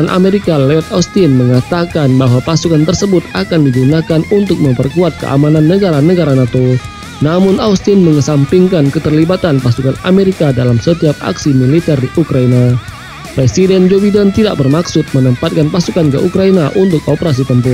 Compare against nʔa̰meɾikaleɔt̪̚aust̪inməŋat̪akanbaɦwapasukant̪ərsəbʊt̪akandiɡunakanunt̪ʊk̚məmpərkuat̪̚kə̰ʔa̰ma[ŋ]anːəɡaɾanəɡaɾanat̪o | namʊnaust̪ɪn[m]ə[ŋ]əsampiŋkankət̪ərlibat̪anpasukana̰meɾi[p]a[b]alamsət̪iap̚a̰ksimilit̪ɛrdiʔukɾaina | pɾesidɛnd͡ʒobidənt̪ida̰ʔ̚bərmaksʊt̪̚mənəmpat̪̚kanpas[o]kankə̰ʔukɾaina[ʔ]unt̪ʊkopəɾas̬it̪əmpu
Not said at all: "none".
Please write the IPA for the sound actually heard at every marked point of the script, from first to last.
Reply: n, m, ŋ, k, d, u, ʔ

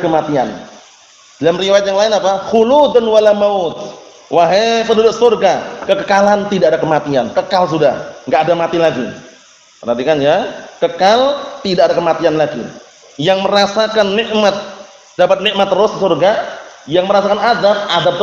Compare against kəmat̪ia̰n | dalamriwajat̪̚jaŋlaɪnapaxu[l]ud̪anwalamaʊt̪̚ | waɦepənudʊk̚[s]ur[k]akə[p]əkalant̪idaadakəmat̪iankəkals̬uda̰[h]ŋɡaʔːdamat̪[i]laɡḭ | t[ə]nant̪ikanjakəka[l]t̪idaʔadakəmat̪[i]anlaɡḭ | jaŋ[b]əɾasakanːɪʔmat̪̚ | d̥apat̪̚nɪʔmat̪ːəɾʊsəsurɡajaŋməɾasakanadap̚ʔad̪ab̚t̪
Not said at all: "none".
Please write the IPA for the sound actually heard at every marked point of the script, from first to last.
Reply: l, s, ɡ, k, h, i, ə, l, i, m

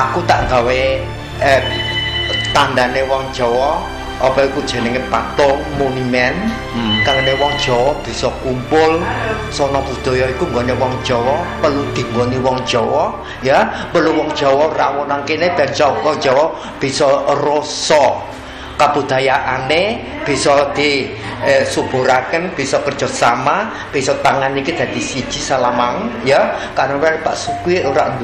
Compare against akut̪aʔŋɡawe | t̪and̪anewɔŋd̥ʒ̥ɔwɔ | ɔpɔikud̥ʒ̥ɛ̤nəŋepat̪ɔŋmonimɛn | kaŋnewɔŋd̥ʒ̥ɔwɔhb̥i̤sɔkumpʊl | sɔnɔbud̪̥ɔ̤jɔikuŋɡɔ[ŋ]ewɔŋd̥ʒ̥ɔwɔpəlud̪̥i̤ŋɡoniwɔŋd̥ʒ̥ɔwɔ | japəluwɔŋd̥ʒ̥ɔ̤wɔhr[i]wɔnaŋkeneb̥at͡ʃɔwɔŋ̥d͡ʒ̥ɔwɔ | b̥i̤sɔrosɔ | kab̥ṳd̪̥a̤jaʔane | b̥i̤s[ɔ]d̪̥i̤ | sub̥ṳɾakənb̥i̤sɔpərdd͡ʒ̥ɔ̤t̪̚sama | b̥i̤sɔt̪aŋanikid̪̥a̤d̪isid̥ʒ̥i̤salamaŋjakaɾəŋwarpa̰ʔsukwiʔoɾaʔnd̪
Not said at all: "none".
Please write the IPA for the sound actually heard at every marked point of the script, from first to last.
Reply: n, a, ɔ

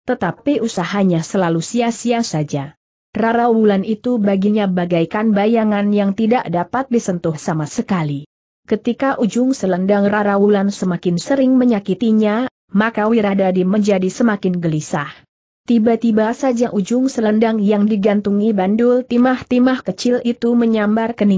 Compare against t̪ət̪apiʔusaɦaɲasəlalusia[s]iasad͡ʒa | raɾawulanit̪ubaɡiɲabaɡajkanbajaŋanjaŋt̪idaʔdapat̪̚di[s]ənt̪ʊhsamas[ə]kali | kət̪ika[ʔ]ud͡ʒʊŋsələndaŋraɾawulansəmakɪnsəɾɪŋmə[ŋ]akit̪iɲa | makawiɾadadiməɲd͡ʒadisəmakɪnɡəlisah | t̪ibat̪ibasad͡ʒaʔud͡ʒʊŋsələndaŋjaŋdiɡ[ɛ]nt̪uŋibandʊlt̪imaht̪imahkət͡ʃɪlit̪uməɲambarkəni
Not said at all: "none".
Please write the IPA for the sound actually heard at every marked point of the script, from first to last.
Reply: s, s, ə, ʔ, ɲ, a

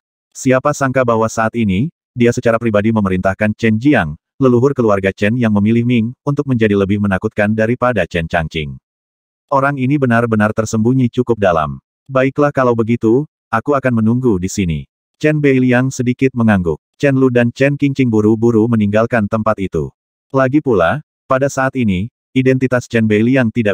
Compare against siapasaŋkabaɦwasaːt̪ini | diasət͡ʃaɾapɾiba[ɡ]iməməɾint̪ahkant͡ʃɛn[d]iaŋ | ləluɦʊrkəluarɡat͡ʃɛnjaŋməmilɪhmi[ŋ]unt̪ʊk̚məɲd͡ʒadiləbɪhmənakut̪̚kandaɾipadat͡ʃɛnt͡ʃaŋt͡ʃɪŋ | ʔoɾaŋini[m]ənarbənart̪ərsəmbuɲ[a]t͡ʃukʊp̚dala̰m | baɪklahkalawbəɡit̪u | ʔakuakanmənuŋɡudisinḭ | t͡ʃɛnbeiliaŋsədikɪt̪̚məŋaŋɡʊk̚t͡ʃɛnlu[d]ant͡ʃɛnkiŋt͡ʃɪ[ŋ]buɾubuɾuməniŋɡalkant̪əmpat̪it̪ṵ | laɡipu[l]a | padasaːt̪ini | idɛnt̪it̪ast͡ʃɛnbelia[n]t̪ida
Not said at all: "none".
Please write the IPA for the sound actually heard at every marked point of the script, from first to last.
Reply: d, d͡ʒ, ŋ, b, i, d, ŋ, l, ŋ

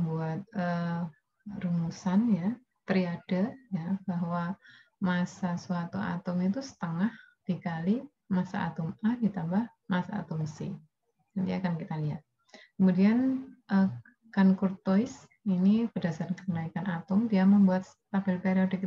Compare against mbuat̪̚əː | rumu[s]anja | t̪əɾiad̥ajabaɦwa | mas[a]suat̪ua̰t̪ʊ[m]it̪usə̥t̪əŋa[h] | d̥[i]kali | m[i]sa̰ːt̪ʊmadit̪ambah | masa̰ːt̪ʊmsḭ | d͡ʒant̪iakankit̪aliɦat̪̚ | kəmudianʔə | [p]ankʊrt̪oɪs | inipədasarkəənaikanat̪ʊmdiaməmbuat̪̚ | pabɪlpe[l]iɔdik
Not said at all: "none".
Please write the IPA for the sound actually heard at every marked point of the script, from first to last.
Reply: s, a, m, h, i, a, k, ɾ

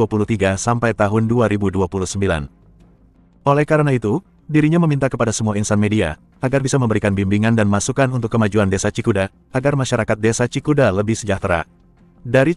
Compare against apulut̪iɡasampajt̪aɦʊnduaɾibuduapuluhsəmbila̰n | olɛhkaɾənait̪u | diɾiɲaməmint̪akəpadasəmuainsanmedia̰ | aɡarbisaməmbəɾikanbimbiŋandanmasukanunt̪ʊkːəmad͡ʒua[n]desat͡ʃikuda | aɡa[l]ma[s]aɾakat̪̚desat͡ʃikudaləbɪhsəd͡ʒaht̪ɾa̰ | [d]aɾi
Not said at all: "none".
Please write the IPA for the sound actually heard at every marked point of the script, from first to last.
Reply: n, r, ʃ, d

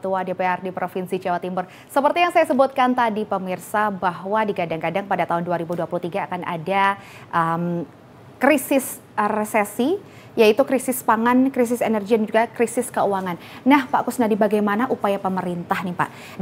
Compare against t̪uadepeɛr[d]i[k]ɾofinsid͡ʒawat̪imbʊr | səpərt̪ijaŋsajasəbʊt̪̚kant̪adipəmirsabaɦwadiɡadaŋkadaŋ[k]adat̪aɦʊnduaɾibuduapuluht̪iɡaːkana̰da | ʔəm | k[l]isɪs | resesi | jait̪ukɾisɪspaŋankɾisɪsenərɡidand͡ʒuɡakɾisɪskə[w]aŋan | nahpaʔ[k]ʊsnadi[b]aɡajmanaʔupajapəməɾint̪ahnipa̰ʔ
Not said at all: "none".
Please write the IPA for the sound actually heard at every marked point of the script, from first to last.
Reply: d, p, p, ɾ, u, k, b

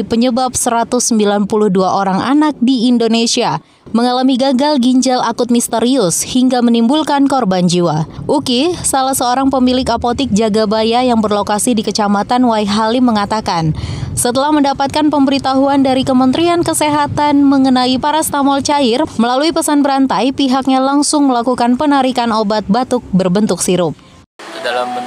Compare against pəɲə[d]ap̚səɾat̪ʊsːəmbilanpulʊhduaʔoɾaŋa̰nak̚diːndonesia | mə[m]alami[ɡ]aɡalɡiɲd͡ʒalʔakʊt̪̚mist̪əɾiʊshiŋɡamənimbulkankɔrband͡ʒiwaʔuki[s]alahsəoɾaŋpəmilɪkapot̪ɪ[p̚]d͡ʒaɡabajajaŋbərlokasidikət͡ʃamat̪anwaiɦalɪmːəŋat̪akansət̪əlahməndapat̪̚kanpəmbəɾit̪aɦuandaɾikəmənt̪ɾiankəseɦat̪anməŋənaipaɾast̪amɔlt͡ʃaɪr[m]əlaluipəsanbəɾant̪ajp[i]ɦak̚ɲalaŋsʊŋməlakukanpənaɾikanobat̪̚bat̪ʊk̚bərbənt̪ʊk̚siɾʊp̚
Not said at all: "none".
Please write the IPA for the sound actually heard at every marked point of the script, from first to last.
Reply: b, ŋ, ɡ, s, k̚, m, i

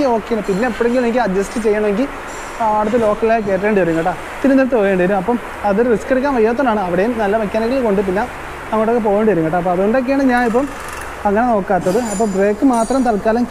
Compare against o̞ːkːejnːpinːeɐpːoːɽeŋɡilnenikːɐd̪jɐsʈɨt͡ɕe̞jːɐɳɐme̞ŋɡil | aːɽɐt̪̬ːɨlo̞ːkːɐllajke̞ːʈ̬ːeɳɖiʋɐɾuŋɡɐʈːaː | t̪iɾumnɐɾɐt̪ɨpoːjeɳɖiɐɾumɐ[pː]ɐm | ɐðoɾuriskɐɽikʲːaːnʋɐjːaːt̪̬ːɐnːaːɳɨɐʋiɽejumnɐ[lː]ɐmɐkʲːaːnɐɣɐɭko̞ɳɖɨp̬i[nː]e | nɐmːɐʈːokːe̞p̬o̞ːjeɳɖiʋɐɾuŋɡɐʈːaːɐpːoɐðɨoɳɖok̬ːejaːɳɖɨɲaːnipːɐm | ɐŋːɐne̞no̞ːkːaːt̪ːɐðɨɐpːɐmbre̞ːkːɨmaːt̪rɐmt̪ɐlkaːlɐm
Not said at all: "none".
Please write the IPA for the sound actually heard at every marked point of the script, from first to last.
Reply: pː, lː, nː

